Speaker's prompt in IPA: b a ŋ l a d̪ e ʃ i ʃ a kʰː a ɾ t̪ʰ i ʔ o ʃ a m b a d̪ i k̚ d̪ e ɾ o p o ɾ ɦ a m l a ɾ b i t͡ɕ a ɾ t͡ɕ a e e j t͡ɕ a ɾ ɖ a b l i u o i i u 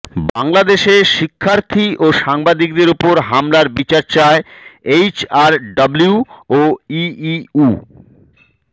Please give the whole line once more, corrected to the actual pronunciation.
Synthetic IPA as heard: b a ŋ l a d̪ e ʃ e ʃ i kʰː a ɾ t̪ʰ i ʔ o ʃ a ŋ b a d̪ i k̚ d̪ e ɾ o p o ɾ ɦ a m l a ɾ b i t͡ɕ a ɾ t͡ɕ a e e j t͡ɕ a ɾ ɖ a b l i u o i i u